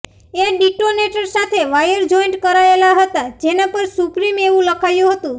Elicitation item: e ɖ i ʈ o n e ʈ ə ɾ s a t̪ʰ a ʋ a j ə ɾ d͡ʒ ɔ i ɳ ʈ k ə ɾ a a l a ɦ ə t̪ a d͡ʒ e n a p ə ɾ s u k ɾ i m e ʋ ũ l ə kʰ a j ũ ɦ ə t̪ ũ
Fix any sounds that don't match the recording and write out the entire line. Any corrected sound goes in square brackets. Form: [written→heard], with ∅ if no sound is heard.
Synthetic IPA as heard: e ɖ i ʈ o n e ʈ ə ɾ s a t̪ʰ [a→e] ʋ a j ə ɾ d͡ʒ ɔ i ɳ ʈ k ə ɾ a [a→e] l a ɦ ə t̪ a d͡ʒ e n a p ə ɾ s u [k→p] ɾ i m e ʋ ũ l ə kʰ a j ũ ɦ ə t̪ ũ

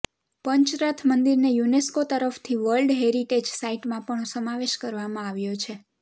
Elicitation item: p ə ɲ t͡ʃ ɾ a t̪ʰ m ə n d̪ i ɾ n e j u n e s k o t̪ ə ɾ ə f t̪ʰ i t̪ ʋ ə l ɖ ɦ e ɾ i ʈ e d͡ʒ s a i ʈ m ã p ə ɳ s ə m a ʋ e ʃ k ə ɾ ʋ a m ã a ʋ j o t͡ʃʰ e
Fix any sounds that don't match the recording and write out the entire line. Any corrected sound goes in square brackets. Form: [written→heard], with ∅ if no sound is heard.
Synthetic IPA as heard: p ə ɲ t͡ʃ ɾ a t̪ʰ m ə n d̪ i ɾ n e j u n e s k o t̪ ə ɾ ə f t̪ʰ i [t̪→∅] ʋ ə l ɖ ɦ e ɾ i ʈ e d͡ʒ s a i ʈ m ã p ə ɳ s ə m a ʋ e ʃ k ə ɾ ʋ a m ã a ʋ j o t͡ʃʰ e

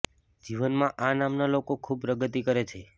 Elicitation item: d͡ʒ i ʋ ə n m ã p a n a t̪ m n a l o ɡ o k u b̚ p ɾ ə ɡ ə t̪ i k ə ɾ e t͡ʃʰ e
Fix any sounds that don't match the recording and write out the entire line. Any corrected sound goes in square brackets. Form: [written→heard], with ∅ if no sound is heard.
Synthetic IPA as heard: d͡ʒ i ʋ ə n m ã [p→ʔ] a n a [t̪→∅] m n a l o [ɡ→k] o [k→kʰ] u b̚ p ɾ ə ɡ ə t̪ i k ə ɾ e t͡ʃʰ e

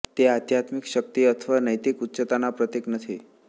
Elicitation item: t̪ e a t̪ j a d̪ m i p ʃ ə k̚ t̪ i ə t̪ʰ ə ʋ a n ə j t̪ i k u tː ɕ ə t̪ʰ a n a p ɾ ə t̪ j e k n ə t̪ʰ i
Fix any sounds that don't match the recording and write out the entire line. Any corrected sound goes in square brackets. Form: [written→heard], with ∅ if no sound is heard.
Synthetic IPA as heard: t̪ e a t̪ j a [d̪→t̪] m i [p→k] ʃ ə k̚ t̪ i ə t̪ʰ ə ʋ a n ə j t̪ i k u tː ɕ ə [t̪ʰ→t̪] a n a p ɾ ə t̪ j e k n ə t̪ʰ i

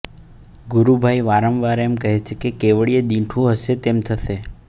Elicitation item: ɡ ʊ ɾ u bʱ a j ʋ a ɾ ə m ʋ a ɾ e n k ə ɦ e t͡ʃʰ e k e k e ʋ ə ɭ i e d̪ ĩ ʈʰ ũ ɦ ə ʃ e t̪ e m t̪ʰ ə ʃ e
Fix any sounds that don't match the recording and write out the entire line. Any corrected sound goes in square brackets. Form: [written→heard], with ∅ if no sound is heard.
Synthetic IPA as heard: ɡ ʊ ɾ u bʱ a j ʋ a ɾ ə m ʋ a ɾ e [n→m] k ə ɦ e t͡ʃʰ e k e k e ʋ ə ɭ i e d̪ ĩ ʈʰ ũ ɦ ə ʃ e t̪ e m t̪ʰ ə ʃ e

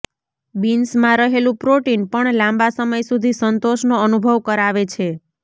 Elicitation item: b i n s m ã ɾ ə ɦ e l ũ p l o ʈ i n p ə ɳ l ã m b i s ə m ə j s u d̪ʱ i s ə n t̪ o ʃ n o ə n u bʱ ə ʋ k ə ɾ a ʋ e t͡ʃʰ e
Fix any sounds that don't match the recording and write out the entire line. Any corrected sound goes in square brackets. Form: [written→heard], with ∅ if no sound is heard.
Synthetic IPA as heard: b i n s m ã ɾ ə ɦ e l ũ p [l→ɾ] o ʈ i n p ə ɳ l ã m b [i→a] s ə m ə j s u d̪ʱ i s ə n t̪ o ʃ n o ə n u bʱ ə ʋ k ə ɾ a ʋ e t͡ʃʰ e

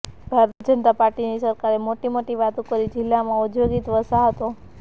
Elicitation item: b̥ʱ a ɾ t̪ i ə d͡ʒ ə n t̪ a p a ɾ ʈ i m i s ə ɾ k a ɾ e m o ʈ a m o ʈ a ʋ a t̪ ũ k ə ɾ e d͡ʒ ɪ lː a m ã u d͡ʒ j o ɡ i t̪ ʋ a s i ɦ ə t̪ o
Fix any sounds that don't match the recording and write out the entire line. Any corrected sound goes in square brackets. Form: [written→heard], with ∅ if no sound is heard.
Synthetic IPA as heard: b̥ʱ a ɾ t̪ i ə d͡ʒ ə n t̪ a p a ɾ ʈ i [m→n] i s ə ɾ k a ɾ e m o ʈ [a→i] m o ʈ [a→i] ʋ a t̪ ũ k ə ɾ [e→i] d͡ʒ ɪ lː a m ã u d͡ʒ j o ɡ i t̪ ʋ [a→ə] s [i→a] ɦ ə t̪ o

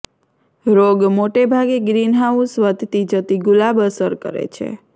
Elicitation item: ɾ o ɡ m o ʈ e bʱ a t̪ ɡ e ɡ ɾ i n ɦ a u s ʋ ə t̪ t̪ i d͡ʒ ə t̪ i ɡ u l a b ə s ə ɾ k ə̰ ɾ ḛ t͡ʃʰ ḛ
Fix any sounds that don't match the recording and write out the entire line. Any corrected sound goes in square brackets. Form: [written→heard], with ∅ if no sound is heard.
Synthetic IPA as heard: ɾ o ɡ m o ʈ e bʱ a [t̪→∅] ɡ e ɡ ɾ i n ɦ a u s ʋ ə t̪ t̪ i d͡ʒ ə t̪ i ɡ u l a b ə s ə ɾ k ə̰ ɾ ḛ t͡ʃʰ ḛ

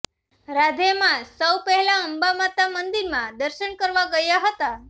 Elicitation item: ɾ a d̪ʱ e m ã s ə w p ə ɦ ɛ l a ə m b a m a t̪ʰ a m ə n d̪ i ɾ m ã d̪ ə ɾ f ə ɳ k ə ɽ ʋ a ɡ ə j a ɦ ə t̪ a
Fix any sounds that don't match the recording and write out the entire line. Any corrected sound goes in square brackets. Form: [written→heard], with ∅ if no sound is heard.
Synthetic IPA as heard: ɾ a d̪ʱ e m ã s ə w p ə ɦ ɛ l a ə m b a m a [t̪ʰ→t̪] a m ə n d̪ i ɾ m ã d̪ ə ɾ [f→ʃ] ə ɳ k ə [ɽ→ɾ] ʋ a ɡ ə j a ɦ ə t̪ a

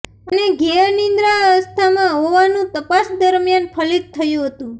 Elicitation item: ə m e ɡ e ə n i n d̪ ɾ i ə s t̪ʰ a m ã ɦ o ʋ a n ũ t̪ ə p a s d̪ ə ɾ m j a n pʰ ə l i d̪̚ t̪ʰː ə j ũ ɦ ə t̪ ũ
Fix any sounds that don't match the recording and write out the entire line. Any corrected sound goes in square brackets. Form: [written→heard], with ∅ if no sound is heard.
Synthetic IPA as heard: ə [m→n] e ɡ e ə n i n d̪ ɾ [i→a] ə s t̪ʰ a m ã ɦ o ʋ a n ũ t̪ ə p a s d̪ ə ɾ m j a n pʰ ə l i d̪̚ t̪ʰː ə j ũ ɦ ə t̪ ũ

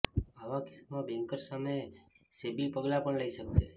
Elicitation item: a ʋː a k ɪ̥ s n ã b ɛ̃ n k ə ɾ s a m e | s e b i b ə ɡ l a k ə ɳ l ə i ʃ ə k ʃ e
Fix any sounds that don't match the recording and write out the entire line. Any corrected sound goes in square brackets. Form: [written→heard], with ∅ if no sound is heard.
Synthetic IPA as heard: a [ʋː→ʋ] a k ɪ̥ s [n→m] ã b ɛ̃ [n→ŋ] k ə ɾ s a m e | s e b i [b→p] ə ɡ l a [k→p] ə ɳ l ə i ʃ ə k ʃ e

